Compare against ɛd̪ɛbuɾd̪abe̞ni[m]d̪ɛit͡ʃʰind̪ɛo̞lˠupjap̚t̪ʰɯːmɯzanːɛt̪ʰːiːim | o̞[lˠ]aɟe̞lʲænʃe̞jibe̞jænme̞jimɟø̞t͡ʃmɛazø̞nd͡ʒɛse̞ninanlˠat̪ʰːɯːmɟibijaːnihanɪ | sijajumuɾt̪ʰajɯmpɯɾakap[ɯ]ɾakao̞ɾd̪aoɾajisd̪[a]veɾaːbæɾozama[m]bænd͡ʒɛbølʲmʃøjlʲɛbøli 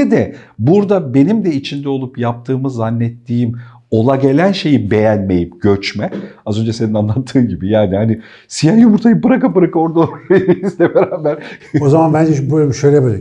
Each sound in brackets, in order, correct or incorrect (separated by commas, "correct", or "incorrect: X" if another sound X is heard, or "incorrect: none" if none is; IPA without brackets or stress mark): correct, correct, correct, incorrect: ɛ, incorrect: n